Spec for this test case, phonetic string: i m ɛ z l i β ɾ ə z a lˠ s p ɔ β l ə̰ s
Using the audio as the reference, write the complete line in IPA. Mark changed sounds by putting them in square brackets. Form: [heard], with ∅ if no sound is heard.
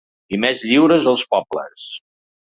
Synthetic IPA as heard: i m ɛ z [ʎ] i [w] ɾ ə z [ə] lˠ s p ɔ [b] l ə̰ s